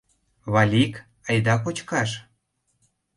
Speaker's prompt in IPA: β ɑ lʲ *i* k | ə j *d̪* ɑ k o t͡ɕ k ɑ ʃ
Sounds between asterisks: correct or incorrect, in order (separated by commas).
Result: correct, correct